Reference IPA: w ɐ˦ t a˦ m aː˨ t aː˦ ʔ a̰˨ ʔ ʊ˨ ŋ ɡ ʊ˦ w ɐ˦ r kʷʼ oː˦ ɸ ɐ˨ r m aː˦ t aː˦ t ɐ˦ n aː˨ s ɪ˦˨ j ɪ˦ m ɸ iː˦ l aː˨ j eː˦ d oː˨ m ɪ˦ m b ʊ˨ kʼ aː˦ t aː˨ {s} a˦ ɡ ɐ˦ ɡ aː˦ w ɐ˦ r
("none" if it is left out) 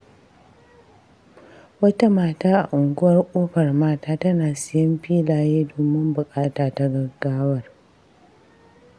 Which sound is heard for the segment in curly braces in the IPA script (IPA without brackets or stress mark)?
t